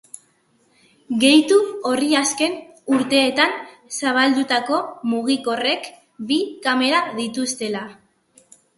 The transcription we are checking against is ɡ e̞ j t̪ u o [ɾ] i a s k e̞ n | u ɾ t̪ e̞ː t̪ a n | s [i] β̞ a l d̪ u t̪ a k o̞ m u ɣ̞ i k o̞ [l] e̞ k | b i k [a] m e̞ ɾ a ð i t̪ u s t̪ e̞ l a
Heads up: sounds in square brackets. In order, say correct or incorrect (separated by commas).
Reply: incorrect, incorrect, incorrect, correct